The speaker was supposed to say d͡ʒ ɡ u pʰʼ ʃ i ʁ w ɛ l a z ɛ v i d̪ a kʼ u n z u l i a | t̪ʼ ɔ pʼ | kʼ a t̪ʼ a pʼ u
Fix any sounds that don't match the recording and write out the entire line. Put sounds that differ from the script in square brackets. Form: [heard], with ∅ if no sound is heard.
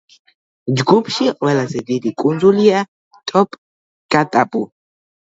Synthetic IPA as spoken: d͡ʒ ɡ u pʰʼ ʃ i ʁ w ɛ l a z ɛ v i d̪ [i] kʼ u n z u l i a | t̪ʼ ɔ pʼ | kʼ a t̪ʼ a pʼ u